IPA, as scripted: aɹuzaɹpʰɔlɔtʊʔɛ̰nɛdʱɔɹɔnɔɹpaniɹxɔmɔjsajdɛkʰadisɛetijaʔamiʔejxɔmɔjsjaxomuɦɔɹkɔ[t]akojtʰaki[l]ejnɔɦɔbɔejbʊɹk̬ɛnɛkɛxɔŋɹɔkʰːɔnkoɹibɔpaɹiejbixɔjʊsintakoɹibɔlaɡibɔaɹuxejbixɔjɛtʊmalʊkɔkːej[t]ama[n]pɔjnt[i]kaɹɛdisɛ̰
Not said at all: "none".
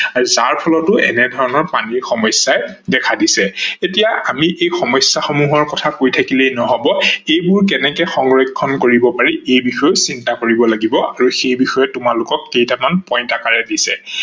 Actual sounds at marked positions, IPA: tʰ, l, t, n, a

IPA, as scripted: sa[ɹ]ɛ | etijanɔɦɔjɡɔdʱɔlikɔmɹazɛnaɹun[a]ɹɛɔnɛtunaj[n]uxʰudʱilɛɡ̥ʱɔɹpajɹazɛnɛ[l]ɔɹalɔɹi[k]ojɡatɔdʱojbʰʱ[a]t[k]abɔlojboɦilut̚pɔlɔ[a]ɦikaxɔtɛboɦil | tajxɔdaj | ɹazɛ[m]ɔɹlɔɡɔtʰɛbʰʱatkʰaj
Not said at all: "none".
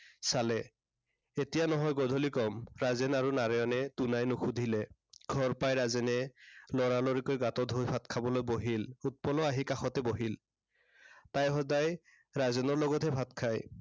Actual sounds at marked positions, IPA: l, a, n, l, k, a, kʰ, a, n

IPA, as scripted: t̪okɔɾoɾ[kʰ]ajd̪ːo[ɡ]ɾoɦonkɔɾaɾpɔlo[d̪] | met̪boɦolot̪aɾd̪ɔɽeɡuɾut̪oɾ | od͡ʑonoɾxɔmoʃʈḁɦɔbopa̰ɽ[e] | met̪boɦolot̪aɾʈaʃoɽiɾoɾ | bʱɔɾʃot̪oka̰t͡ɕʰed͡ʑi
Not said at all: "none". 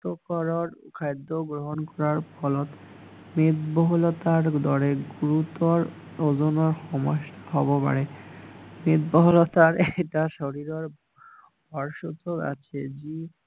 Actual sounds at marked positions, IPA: kʰ, ɡ, t̪, e

